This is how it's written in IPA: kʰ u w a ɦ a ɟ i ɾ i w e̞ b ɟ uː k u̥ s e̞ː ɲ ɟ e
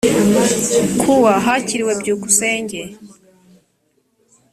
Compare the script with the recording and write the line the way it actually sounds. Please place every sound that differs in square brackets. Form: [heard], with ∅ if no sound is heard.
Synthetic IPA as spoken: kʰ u w a ɦ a [c] i ɾ i w e̞ b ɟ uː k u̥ s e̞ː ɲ ɟ e